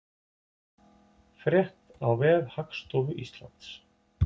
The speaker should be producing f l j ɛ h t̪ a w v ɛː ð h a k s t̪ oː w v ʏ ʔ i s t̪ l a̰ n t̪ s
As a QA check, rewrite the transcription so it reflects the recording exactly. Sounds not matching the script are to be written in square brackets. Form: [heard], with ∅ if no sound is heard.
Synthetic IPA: f [ɾ] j ɛ h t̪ a w v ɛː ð h a k s t̪ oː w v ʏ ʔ i s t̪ l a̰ n t̪ s

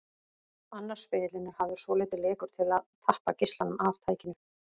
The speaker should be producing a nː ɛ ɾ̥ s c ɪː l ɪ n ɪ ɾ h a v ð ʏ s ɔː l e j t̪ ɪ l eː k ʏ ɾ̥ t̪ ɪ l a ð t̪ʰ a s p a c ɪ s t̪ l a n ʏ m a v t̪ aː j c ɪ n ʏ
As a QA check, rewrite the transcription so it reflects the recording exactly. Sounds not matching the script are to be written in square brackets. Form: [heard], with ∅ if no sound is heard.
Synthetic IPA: a nː [a] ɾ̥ s [p] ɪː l ɪ n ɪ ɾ h a v ð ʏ s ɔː l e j t̪ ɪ l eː k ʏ ɾ̥ [t̪ʰ] ɪ l a ð t̪ʰ a [h] p a c ɪ s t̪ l a n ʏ m a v [t̪ʰ] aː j c ɪ n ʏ

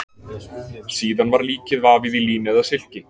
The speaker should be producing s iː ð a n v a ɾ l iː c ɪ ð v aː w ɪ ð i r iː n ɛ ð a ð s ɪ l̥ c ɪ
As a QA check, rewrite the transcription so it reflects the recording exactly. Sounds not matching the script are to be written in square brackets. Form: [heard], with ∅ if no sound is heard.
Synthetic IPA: s iː ð a n v a ɾ l iː c ɪ ð v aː [v] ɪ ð i [l] iː n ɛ ð a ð s ɪ l̥ c ɪ

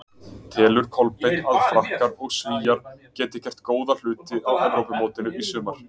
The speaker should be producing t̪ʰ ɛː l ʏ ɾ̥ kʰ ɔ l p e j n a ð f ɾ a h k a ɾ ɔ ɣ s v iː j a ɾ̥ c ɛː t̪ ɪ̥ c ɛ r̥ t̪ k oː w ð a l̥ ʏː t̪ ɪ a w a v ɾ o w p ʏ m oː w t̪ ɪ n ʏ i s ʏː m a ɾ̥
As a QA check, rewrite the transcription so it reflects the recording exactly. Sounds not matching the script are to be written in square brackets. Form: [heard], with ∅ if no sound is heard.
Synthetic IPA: t̪ʰ ɛː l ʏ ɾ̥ kʰ ɔ l p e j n a ð f ɾ a h k a ɾ ɔ ɣ s v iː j a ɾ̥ c ɛː t̪ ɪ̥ c ɛ r̥ t̪ k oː w ð a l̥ ʏː t̪ ɪ a w [ɛ] v ɾ o w p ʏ m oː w t̪ ɪ n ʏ i s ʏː m a ɾ̥

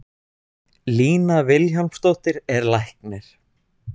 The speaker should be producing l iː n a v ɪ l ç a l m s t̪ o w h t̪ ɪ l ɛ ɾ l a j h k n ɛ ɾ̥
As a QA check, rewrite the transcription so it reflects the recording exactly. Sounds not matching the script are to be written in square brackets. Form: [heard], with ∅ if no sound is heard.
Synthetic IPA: l iː n a v ɪ l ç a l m s t̪ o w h t̪ ɪ [ɾ] ɛ ɾ l a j h k n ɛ ɾ̥

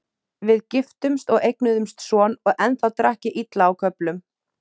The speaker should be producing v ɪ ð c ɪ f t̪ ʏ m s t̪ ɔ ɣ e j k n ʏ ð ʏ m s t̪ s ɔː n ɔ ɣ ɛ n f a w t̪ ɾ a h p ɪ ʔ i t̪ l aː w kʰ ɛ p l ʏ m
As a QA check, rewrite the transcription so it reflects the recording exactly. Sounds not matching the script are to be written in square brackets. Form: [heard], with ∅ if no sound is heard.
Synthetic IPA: v ɪ ð c ɪ f t̪ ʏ m s t̪ ɔ ɣ e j k n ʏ ð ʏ m s t̪ s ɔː n ɔ ɣ ɛ n [θ] a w t̪ ɾ a h [c] ɪ ʔ i t̪ l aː w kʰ [œ] p l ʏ m

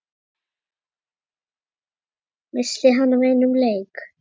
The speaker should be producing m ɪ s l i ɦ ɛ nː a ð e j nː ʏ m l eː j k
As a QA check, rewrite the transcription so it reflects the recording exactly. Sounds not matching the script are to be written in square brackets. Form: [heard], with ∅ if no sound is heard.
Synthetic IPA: m ɪ s l [ɪ] ɦ [a] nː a [v] e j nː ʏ m l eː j k

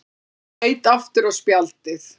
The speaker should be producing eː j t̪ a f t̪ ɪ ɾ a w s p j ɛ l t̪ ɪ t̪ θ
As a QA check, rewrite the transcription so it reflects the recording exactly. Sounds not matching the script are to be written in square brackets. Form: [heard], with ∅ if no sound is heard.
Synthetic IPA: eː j t̪ a f t̪ ɪ ɾ a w s p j [a] l t̪ ɪ [∅] θ

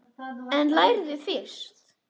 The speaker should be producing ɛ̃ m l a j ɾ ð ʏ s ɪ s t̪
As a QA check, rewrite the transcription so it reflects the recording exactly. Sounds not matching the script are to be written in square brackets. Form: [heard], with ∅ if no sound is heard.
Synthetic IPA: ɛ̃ [n] l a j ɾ ð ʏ [f] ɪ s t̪

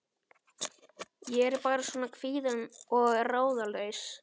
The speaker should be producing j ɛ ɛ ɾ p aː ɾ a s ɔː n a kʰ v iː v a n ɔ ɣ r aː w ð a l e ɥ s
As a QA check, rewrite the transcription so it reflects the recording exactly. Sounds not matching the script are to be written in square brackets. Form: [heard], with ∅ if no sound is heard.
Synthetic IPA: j ɛ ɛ ɾ p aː ɾ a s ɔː n a kʰ v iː [ð] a n ɔ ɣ r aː w ð a l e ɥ s

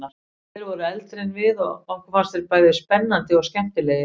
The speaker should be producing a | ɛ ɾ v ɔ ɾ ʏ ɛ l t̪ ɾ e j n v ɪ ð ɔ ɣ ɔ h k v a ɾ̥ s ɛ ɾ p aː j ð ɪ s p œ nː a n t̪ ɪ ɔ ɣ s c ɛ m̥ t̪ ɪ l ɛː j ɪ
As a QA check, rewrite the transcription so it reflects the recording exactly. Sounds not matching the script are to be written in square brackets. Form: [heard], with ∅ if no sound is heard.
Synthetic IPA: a | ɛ ɾ v ɔ ɾ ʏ ɛ l t̪ ɾ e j n v ɪ ð ɔ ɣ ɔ h k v a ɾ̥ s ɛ ɾ p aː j ð ɪ s p [ɛ] nː a n t̪ ɪ ɔ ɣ s c ɛ m̥ t̪ ɪ l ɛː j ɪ

